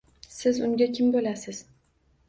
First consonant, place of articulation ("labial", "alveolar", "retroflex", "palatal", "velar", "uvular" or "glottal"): alveolar